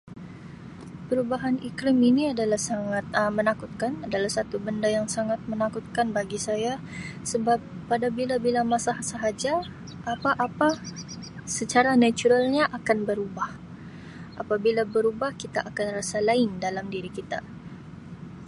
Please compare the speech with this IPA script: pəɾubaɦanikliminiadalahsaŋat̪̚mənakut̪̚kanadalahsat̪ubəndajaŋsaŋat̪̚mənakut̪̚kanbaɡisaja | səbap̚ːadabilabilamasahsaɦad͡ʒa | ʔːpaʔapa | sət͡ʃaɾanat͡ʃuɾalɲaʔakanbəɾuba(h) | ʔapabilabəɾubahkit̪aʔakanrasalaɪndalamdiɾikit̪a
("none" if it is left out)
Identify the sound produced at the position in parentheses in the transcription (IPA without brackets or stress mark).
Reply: h